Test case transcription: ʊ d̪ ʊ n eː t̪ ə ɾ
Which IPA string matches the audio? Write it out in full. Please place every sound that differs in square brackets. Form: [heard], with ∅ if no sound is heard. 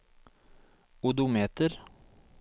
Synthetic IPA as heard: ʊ d̪ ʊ [m] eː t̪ ə ɾ